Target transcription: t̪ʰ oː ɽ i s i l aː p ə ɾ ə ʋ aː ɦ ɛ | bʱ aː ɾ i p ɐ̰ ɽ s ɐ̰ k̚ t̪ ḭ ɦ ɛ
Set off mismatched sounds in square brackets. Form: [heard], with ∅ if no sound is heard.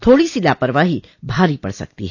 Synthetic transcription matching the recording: t̪ʰ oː ɽ i s i l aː p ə ɾ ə ʋ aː ɦ [i] | bʱ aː ɾ i p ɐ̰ ɽ s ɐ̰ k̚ t̪ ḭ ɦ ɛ

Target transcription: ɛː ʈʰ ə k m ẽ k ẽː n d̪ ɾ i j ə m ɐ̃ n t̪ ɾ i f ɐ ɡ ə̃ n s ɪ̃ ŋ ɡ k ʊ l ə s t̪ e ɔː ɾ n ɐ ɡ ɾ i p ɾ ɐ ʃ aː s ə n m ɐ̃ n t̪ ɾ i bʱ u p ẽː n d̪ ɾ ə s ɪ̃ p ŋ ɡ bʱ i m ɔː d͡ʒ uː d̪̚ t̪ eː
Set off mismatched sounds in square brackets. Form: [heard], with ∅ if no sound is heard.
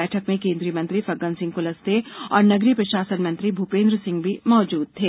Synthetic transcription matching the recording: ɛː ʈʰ ə k m ẽ k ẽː n d̪ ɾ i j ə m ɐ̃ n t̪ ɾ i f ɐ ɡ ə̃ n s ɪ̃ ŋ ɡ k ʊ l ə s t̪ e ɔː ɾ n ɐ ɡ ɾ i p ɾ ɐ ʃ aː s ə n m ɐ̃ n t̪ ɾ i bʱ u p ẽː n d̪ ɾ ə s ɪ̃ [∅] ŋ ɡ bʱ i m ɔː d͡ʒ uː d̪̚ [t̪ʰ] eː

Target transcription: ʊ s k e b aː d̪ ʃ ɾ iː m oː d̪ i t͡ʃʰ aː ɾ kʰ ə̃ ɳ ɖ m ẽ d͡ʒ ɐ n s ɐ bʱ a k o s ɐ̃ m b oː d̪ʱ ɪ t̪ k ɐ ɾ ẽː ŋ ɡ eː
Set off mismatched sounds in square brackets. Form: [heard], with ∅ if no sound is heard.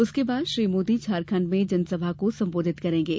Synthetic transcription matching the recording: ʊ s k e b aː d̪ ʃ ɾ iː m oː d̪ i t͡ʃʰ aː ɾ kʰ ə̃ ɳ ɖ m ẽ d͡ʒ ɐ n s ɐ bʱ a k o s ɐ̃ m b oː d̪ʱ ɪ t̪ k ɐ ɾ ẽː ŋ ɡ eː

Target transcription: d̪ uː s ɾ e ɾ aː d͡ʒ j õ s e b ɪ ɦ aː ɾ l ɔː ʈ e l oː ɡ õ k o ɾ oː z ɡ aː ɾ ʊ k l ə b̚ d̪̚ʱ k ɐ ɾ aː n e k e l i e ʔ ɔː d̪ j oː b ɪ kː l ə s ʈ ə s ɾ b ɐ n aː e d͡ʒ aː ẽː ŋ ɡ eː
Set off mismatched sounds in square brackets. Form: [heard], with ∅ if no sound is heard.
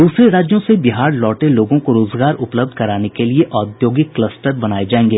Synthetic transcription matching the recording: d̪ uː s ɾ e ɾ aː d͡ʒ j õ s e b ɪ ɦ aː ɾ l ɔː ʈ e l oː ɡ õ k o ɾ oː z ɡ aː ɾ ʊ [p] l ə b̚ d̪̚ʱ k ɐ ɾ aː n e k e l i e ʔ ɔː d̪ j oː [ɡ] ɪ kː l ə s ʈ ə [∅] ɾ b ɐ n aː e d͡ʒ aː ẽː ŋ ɡ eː

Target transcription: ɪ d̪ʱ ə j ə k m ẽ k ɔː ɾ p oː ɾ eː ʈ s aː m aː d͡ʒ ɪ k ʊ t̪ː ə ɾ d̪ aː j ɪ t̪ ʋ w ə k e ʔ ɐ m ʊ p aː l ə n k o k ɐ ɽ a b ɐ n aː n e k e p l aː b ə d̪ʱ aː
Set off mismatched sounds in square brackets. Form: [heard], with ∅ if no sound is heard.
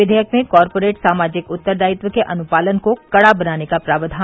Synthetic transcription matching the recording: ɪ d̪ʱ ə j ə k m ẽ k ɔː ɾ p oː ɾ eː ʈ s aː m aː d͡ʒ ɪ k ʊ t̪ː ə ɾ d̪ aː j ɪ t̪ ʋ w ə k e ʔ ɐ [n] ʊ p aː l ə n k o k ɐ ɽ a b ɐ n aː n e k [a] p [ɾ] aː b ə d̪ʱ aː

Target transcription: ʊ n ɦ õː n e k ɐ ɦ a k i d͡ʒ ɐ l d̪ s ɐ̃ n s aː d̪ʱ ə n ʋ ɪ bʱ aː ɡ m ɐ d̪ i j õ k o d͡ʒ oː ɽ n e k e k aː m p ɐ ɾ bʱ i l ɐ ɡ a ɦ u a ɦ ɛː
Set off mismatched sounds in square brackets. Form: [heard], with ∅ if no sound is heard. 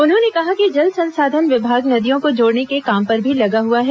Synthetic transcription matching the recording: ʊ n ɦ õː n e k ɐ ɦ a k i d͡ʒ ɐ l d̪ s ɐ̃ n s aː d̪ʱ ə n ʋ ɪ bʱ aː ɡ [n] ɐ d̪ i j õ k o d͡ʒ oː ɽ n e k e k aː m p ɐ ɾ bʱ i l ɐ ɡ a ɦ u a ɦ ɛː

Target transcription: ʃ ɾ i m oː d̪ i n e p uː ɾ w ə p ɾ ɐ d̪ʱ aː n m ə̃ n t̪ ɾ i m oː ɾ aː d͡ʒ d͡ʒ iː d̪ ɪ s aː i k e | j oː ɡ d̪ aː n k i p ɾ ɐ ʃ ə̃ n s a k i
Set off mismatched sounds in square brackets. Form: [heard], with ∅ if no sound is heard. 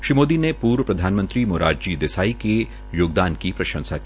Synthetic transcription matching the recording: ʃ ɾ i m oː d̪ i n e p uː ɾ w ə p ɾ ɐ d̪ʱ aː n m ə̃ n t̪ ɾ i m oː ɾ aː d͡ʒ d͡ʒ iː d̪ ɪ s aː i k e | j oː ɡ d̪ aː n k i p ɾ ɐ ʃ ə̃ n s a k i

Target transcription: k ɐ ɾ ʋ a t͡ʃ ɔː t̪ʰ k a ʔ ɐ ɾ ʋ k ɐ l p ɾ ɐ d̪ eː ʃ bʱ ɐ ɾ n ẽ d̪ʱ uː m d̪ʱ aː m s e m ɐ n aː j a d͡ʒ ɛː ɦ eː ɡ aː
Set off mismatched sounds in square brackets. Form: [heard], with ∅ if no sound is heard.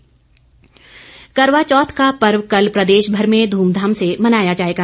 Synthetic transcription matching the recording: k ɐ ɾ ʋ a t͡ʃ ɔː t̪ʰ k a [p] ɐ ɾ ʋ k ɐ l p ɾ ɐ d̪ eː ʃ bʱ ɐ ɾ [m] ẽ d̪ʱ uː m d̪ʱ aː m s e m ɐ n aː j a d͡ʒ [aː] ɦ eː ɡ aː

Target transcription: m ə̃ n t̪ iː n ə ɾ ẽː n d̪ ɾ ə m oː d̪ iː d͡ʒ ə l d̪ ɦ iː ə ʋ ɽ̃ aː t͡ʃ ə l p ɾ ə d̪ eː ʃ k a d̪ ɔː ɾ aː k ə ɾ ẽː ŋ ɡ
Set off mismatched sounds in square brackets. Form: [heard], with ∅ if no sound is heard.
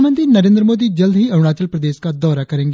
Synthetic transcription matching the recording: m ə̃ n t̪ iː n ə ɾ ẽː n d̪ ɾ ə m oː d̪ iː d͡ʒ ə l d̪ ɦ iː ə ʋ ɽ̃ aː t͡ʃ ə l p ɾ ə d̪ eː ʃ k a d̪ ɔː ɾ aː k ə ɾ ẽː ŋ ɡ

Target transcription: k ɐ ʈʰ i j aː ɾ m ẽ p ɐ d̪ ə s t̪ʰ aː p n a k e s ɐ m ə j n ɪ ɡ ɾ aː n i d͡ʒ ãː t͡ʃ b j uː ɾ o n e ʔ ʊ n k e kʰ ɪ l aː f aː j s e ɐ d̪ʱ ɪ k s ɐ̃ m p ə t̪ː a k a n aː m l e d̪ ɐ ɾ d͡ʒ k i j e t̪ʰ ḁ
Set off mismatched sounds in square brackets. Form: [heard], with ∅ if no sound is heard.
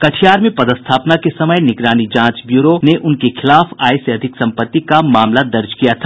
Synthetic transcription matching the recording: k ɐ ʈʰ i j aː ɾ m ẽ p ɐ d̪ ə s t̪ʰ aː p n a k e s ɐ m ə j n ɪ ɡ ɾ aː n i d͡ʒ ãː t͡ʃ b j uː ɾ o n e ʔ ʊ n k e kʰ ɪ l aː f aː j s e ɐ d̪ʱ ɪ k s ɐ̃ m p ə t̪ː [i] k a [m] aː m l [a] d̪ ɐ ɾ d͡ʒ k i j [a] t̪ʰ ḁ

